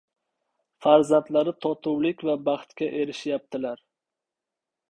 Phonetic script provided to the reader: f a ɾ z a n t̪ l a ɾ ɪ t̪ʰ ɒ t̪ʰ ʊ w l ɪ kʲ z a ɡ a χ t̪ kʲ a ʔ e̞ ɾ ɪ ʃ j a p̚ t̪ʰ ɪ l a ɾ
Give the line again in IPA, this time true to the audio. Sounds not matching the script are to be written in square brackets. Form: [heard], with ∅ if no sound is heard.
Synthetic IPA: f a ɾ z a n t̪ l a ɾ ɪ t̪ʰ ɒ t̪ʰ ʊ w l ɪ kʲ [v] a [b] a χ t̪ kʲ a ʔ e̞ ɾ ɪ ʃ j a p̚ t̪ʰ ɪ l a ɾ